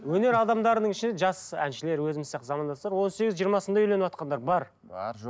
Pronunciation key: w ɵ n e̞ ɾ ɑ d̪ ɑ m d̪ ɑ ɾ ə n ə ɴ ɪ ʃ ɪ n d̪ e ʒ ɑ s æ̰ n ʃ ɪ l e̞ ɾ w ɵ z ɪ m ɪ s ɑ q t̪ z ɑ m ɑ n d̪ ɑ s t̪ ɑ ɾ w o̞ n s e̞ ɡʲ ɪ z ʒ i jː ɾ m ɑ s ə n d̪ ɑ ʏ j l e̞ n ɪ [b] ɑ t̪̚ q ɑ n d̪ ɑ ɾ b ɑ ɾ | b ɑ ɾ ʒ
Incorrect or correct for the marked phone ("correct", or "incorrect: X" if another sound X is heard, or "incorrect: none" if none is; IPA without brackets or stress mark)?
incorrect: w